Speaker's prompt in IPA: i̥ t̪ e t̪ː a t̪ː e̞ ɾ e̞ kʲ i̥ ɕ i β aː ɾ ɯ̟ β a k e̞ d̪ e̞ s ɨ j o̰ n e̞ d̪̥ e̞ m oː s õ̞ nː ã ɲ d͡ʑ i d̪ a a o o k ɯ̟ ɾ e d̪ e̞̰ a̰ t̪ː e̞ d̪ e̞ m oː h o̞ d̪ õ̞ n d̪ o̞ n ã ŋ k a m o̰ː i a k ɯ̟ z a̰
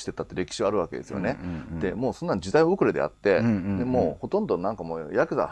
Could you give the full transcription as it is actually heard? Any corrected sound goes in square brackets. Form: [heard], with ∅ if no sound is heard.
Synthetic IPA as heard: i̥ t̪ e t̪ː a t̪ː e̞ ɾ e̞ kʲ i̥ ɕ i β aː ɾ ɯ̟ β a k e̞ d̪ e̞ s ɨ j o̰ n e̞ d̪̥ e̞ m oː s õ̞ nː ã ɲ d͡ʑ i d̪ a [i] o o k ɯ̟ ɾ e d̪ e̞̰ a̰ t̪ː e̞ d̪ e̞ m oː h o̞ [t̪] õ̞ n d̪ o̞ n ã ŋ k a m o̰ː [j] a k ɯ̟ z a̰